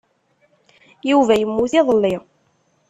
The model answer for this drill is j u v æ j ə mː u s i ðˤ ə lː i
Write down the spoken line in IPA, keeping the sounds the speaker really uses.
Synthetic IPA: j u v æ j ə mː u θ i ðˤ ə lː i